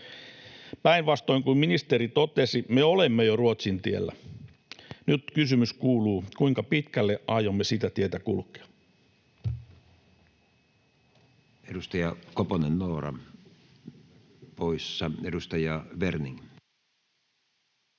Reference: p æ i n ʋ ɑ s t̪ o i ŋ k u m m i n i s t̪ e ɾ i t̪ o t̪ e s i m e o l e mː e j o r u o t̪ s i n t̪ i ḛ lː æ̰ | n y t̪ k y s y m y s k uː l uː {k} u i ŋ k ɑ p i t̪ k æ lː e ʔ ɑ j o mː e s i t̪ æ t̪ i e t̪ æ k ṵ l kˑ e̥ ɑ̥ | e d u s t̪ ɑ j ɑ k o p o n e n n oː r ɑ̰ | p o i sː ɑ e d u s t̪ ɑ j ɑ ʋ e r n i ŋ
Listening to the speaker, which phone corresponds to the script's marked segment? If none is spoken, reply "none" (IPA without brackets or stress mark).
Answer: k